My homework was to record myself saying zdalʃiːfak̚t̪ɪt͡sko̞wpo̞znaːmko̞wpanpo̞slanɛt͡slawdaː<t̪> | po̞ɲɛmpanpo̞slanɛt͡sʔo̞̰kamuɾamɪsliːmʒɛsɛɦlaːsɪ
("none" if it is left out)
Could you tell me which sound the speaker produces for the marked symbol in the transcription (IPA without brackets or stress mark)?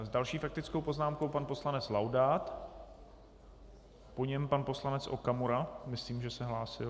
t̪